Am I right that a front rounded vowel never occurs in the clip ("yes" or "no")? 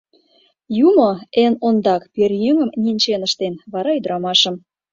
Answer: no